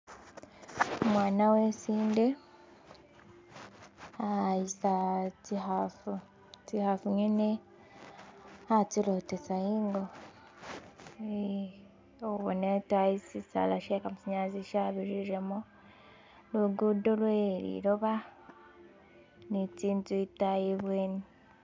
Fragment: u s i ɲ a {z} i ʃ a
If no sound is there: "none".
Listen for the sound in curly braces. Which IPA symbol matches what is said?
z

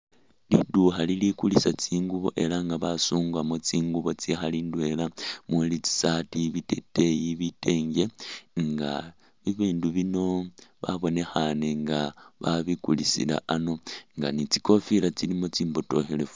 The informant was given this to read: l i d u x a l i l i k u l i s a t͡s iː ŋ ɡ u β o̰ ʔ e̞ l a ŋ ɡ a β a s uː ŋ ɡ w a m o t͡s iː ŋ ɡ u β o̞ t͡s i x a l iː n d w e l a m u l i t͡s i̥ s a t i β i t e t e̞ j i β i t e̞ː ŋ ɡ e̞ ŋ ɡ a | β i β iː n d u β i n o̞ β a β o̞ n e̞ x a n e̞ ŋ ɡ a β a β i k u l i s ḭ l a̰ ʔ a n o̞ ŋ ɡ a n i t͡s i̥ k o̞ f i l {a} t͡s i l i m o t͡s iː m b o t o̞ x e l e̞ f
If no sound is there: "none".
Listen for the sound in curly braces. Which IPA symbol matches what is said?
a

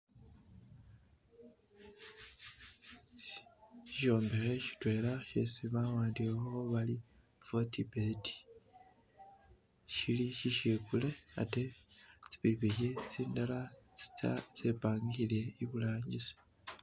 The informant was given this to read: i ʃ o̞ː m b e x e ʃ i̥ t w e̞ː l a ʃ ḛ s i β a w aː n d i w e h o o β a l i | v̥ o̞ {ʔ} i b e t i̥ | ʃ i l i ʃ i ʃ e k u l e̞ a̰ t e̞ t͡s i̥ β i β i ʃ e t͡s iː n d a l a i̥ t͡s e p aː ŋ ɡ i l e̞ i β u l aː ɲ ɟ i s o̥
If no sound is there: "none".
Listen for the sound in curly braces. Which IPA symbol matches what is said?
t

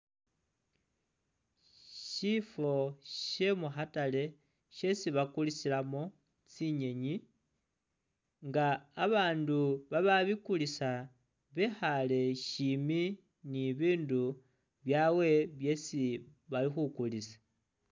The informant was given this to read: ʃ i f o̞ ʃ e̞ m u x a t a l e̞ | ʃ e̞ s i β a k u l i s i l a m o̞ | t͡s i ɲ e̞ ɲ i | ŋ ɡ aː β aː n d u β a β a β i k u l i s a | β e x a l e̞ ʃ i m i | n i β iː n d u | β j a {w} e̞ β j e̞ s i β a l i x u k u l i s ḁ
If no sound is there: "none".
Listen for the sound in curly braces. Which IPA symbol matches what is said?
w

